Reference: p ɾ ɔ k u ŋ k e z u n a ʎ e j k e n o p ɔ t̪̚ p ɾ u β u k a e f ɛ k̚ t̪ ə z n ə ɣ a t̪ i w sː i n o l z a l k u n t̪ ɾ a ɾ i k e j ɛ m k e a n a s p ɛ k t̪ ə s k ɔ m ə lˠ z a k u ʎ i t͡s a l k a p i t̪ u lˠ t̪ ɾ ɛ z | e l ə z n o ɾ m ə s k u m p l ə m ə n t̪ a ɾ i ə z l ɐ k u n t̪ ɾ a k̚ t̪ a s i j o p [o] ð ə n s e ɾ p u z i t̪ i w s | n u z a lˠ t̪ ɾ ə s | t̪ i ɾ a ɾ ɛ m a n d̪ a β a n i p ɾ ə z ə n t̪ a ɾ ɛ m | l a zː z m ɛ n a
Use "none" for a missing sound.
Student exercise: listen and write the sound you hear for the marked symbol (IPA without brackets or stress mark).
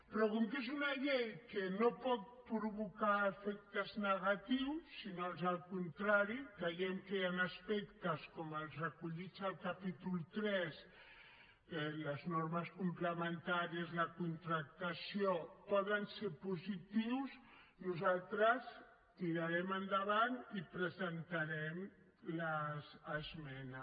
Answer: ɔ